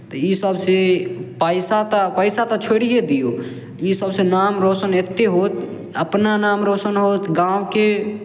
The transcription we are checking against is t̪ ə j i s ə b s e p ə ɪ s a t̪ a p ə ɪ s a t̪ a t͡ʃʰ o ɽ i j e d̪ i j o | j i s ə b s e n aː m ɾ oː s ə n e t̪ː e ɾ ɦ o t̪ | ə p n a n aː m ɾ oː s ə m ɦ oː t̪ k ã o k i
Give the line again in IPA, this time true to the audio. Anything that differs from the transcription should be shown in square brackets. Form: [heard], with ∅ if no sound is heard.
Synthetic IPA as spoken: t̪ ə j i s ə b s e p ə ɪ s a t̪ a p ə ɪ s a t̪ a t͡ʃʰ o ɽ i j e d̪ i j o | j i s ə b s e n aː m ɾ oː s ə n e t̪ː e [∅] ɦ o t̪ | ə p n a n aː m ɾ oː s ə [n] ɦ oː t̪ [ɡ] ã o k [e]